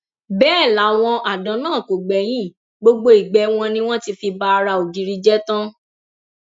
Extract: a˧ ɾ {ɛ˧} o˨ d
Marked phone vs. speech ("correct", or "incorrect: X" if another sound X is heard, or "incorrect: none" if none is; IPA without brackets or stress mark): incorrect: a˧